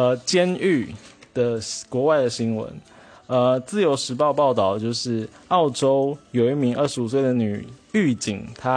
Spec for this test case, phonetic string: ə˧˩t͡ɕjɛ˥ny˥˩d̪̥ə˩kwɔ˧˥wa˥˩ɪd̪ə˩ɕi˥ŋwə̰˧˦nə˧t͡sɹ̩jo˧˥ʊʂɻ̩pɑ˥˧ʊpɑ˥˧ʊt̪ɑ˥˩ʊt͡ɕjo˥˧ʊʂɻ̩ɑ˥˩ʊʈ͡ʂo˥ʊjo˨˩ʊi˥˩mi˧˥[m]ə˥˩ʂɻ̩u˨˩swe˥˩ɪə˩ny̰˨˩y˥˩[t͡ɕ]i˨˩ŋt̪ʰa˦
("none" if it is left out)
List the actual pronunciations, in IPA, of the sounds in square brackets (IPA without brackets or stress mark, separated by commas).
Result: ŋ, t͡ɕ